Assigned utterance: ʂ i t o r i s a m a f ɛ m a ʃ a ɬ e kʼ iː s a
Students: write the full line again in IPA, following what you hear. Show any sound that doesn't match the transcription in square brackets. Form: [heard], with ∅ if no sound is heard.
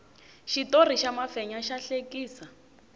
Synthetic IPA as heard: [ʃ] i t o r i [ʃ] a m a f ɛ [ɲ] a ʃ a ɬ e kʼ iː s a